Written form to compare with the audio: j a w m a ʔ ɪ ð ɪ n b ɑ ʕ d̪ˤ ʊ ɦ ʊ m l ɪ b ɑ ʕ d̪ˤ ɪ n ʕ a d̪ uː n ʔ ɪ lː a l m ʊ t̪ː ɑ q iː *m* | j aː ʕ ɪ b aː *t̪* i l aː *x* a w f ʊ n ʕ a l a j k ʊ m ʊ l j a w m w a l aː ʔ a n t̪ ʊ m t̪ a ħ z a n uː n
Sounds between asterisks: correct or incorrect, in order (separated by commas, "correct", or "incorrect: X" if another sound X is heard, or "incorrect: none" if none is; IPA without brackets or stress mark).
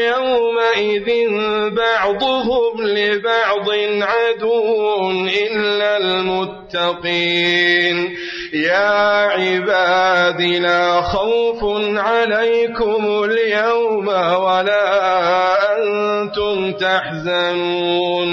incorrect: n, incorrect: d̪, correct